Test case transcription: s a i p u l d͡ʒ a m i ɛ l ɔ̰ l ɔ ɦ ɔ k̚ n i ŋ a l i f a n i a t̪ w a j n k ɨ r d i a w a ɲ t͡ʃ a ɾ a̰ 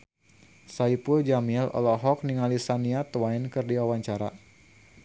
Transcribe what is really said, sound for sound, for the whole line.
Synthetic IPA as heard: s a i p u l d͡ʒ a m i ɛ l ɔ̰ l ɔ ɦ ɔ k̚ n i ŋ a l i s a n i a t̪ w a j n k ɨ r d i a w a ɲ t͡ʃ a ɾ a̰